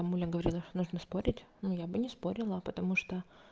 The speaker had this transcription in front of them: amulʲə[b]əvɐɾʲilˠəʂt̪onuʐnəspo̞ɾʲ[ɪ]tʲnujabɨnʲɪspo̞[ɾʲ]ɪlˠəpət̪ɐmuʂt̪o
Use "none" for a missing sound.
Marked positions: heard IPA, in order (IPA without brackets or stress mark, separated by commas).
ɡ, ɪ, ɾʲ